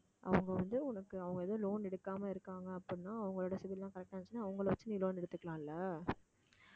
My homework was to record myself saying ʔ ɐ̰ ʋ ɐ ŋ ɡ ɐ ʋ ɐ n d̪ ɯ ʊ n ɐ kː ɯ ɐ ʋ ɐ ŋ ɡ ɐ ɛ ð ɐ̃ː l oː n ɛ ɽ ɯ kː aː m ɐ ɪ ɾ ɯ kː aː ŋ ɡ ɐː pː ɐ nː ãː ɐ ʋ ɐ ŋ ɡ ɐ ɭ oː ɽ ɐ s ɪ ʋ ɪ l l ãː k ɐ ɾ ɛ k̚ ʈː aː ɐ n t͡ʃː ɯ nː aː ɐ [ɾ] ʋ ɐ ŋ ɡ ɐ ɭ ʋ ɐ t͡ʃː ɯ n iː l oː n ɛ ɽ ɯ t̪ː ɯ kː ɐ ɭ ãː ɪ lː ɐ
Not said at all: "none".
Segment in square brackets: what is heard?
none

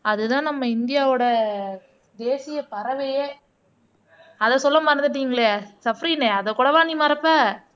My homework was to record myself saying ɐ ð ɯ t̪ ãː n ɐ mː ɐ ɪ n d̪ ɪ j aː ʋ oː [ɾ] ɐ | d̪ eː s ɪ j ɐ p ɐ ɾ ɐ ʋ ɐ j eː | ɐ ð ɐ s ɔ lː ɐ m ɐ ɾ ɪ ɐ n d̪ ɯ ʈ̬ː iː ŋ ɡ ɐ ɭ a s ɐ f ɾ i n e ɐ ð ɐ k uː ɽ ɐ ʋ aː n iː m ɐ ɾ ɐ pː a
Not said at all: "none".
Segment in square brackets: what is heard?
ɽ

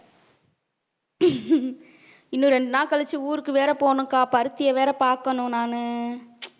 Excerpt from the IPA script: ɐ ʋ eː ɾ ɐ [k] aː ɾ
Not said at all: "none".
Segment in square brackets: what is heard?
p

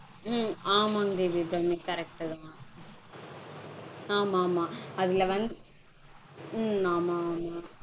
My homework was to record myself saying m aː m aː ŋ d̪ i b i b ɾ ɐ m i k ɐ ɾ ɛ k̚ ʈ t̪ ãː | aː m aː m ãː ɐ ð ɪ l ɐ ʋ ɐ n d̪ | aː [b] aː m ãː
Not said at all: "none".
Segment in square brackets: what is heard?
m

